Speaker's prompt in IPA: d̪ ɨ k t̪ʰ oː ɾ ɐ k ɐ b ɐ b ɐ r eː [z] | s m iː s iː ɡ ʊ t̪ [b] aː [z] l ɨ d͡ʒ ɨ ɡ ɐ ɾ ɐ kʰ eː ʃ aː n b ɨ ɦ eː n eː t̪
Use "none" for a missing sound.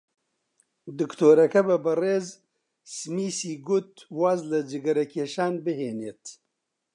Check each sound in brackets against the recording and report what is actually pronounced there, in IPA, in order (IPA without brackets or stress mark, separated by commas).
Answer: z, w, z